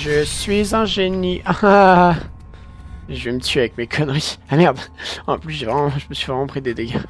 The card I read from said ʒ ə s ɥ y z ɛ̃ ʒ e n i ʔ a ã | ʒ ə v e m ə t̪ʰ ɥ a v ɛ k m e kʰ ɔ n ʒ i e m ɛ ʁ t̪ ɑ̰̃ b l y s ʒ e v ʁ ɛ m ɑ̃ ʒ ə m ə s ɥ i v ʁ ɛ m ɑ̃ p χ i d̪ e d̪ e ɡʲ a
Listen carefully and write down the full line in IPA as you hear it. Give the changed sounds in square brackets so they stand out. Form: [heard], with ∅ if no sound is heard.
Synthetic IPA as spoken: ʒ ə s ɥ [i] z ɛ̃ ʒ e n i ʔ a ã | ʒ ə v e m ə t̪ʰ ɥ a v ɛ k m e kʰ ɔ n [ʁ] i [a] m ɛ ʁ [d̪] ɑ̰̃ [p] l y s ʒ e v ʁ ɛ m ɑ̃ ʒ ə m ə s ɥ i v ʁ ɛ m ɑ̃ p χ i d̪ e d̪ e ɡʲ a